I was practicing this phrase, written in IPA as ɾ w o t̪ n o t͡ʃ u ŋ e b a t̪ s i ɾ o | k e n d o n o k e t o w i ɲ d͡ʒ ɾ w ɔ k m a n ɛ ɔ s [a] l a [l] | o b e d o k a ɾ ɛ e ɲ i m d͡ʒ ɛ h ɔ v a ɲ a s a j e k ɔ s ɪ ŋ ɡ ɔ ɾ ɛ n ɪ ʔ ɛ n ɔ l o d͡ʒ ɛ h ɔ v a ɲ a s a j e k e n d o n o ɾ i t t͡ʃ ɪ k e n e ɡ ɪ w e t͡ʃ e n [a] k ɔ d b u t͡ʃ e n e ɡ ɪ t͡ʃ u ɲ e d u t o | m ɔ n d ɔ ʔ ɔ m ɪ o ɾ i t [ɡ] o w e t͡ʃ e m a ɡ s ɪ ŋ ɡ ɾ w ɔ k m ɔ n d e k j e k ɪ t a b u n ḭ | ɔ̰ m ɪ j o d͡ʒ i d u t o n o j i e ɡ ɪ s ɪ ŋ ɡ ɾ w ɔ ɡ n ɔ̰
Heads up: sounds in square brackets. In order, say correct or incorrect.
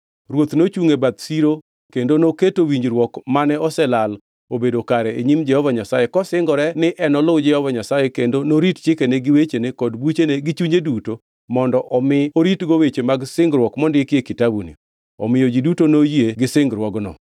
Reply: incorrect, correct, incorrect, correct

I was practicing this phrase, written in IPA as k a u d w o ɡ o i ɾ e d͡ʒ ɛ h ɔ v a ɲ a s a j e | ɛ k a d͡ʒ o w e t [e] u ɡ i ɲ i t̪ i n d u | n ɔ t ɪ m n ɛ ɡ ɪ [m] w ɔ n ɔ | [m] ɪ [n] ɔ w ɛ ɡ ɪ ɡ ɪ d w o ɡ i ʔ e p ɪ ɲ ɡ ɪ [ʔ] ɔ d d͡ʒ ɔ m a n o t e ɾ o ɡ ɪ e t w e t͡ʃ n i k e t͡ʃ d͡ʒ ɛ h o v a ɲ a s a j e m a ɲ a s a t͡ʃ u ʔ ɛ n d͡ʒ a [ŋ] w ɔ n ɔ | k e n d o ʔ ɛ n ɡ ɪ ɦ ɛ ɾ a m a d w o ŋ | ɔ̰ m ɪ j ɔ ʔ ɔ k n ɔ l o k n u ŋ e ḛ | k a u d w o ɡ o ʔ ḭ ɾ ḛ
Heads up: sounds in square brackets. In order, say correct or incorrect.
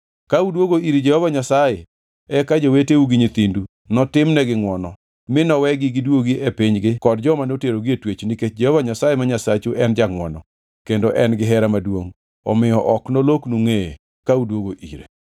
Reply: correct, incorrect, correct, correct, incorrect, correct

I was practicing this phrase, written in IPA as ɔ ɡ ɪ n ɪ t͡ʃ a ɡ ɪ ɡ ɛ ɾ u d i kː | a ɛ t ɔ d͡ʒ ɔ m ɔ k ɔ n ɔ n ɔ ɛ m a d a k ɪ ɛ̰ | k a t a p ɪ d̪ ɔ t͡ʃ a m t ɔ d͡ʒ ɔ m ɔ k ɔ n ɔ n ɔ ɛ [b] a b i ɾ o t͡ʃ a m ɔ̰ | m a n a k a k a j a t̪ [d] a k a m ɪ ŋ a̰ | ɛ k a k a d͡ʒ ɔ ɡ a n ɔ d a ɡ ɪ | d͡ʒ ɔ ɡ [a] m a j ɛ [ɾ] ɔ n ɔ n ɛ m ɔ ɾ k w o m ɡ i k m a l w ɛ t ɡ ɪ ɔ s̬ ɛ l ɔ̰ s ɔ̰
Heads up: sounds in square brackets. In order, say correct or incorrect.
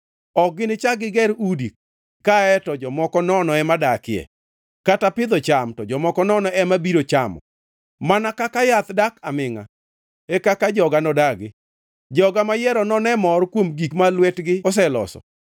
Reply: incorrect, correct, correct, correct

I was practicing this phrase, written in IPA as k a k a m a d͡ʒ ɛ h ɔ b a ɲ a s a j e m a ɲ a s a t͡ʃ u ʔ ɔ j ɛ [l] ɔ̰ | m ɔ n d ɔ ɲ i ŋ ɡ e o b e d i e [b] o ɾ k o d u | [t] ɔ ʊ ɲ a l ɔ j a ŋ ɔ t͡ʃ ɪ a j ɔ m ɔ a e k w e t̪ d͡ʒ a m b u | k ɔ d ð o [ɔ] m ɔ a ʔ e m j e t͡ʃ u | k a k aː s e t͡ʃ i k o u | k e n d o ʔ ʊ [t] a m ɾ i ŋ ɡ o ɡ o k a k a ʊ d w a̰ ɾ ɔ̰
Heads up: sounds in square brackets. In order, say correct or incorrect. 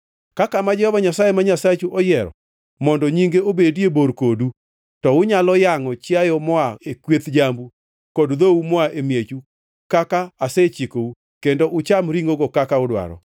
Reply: incorrect, correct, correct, incorrect, incorrect

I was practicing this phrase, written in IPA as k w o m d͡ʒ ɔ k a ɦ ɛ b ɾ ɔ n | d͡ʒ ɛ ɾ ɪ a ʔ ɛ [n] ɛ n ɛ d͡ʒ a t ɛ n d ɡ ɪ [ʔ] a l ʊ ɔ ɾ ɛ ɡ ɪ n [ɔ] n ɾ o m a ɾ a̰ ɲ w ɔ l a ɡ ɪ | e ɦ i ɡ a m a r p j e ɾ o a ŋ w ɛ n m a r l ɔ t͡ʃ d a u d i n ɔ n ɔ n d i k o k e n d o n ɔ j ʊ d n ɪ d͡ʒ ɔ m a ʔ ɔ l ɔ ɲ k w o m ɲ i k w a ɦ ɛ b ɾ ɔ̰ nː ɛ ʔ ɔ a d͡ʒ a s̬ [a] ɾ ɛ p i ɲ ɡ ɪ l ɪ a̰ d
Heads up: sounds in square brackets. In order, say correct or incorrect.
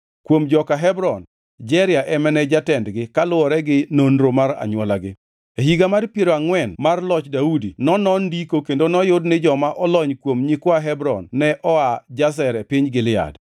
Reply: incorrect, incorrect, incorrect, incorrect

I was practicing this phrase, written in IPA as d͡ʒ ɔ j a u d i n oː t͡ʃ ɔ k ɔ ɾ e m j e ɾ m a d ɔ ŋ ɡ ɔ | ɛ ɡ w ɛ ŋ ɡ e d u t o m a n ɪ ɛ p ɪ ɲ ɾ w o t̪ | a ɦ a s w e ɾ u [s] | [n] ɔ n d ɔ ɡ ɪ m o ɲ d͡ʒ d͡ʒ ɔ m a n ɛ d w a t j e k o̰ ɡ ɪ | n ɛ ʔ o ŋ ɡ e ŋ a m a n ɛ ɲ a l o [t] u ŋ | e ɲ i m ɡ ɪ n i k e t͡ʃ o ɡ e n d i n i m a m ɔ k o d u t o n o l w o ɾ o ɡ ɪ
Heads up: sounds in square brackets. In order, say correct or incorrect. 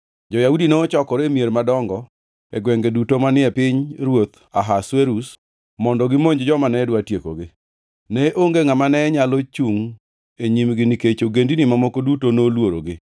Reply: correct, incorrect, incorrect

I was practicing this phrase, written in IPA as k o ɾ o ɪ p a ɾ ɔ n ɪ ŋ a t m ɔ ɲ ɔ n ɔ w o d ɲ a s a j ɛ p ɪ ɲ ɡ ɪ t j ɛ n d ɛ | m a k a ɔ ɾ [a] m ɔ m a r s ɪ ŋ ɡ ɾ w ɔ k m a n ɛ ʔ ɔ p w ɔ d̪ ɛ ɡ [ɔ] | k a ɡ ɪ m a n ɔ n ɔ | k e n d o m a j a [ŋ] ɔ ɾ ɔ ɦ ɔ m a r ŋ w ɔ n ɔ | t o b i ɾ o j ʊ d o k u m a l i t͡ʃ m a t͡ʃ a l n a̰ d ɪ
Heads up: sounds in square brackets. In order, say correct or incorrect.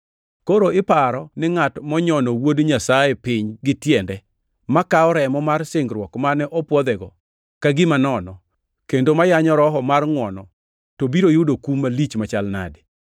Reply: incorrect, correct, incorrect

